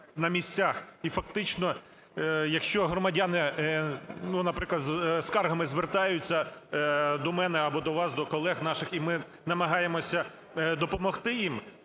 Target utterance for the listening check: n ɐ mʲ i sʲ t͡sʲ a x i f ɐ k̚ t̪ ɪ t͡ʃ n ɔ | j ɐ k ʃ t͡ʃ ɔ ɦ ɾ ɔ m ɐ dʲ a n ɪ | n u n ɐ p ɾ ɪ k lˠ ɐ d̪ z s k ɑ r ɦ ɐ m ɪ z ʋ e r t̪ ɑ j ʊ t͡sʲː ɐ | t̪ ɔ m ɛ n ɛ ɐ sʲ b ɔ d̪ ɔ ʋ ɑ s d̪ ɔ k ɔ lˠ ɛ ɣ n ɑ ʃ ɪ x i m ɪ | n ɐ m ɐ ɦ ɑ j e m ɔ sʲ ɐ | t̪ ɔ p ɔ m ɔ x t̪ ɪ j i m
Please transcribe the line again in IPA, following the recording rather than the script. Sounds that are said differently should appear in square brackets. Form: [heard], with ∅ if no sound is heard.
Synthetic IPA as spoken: n ɐ mʲ i sʲ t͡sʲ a x i f ɐ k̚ t̪ ɪ t͡ʃ n ɔ | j ɐ k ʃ t͡ʃ ɔ ɦ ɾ ɔ m ɐ dʲ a n ɪ | n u n ɐ p ɾ ɪ k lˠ ɐ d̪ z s k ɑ r ɦ ɐ m ɪ z ʋ e r t̪ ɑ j ʊ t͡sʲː ɐ | [d̪] ɔ m ɛ n ɛ ɐ [∅] b ɔ d̪ ɔ ʋ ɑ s d̪ ɔ k ɔ lˠ ɛ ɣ n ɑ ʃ ɪ x i m ɪ | n ɐ m ɐ ɦ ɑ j e m ɔ sʲ ɐ | [d̪] ɔ p ɔ m ɔ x t̪ ɪ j i m